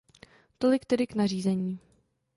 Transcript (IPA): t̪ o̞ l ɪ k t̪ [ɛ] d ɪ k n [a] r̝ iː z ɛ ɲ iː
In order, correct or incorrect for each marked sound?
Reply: correct, correct

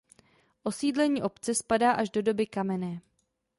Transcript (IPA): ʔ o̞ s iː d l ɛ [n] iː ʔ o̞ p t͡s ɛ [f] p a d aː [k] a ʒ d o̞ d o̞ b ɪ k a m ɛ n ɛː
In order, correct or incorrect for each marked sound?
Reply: incorrect, incorrect, incorrect

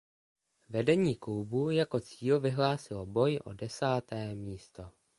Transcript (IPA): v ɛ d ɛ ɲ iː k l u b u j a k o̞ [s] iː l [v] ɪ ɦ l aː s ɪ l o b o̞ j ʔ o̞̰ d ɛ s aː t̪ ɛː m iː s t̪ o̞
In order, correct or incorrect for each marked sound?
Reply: incorrect, correct

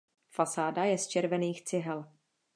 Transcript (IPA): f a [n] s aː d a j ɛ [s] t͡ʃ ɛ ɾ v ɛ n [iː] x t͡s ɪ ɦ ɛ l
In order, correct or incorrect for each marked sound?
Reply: incorrect, correct, correct

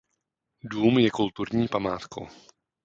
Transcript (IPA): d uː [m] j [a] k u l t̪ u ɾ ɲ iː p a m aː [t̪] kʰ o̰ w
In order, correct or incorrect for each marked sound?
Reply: correct, incorrect, correct

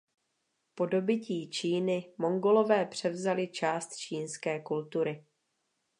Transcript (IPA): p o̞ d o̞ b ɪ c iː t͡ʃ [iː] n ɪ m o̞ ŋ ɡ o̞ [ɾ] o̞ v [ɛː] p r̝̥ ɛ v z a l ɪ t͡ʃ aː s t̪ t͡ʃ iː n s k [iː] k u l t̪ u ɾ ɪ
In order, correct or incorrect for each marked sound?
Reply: correct, incorrect, correct, incorrect

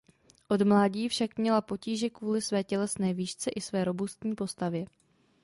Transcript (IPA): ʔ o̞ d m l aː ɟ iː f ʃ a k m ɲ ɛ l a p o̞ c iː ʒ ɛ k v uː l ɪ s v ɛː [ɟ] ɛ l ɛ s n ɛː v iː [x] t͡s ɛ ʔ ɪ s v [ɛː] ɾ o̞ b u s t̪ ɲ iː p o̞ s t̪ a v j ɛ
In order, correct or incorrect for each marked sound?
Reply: incorrect, incorrect, correct

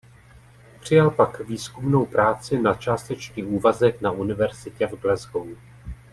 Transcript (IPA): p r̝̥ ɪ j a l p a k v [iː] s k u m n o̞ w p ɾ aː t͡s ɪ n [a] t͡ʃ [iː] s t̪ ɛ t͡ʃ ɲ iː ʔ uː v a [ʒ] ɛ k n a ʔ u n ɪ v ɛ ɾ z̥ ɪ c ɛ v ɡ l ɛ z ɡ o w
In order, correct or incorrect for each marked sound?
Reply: correct, correct, incorrect, incorrect

